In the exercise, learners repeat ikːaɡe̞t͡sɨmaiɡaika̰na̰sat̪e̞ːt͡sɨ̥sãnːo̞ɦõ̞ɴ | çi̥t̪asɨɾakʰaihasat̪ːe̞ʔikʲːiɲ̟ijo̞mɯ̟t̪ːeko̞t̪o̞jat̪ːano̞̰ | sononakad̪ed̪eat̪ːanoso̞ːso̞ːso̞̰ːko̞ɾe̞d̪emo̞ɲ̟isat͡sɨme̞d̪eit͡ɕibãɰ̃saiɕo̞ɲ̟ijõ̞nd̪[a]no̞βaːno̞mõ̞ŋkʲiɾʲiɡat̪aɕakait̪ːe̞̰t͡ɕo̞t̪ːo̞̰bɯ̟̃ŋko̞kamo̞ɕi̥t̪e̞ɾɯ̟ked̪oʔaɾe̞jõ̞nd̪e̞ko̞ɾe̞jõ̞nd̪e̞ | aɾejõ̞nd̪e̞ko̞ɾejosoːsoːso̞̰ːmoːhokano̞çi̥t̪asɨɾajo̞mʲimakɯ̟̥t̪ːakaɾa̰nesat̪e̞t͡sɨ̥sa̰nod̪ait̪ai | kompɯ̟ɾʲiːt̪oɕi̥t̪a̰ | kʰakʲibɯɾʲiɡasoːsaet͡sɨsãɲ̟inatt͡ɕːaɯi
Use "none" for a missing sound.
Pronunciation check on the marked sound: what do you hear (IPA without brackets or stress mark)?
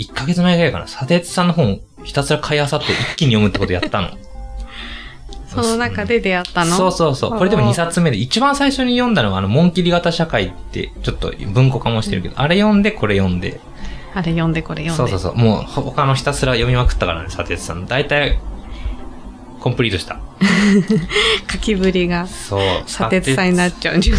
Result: a